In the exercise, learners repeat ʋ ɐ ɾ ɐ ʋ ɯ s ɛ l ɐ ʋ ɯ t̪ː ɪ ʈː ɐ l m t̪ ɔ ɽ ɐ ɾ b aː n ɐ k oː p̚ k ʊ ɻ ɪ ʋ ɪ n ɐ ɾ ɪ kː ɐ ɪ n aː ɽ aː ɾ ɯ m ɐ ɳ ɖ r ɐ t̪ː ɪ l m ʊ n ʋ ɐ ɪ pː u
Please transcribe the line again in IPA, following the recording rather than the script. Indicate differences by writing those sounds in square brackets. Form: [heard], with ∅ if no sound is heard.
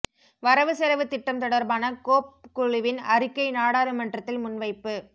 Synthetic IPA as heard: ʋ ɐ ɾ ɐ ʋ ɯ s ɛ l ɐ ʋ ɯ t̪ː ɪ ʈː ɐ [∅] m t̪ ɔ ɽ ɐ ɾ b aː n ɐ k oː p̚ k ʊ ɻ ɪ ʋ ɪ n ɐ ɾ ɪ kː ɐ ɪ n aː ɽ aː ɾ ɯ m ɐ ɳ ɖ r ɐ t̪ː ɪ l m ʊ n ʋ ɐ ɪ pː [ɯ]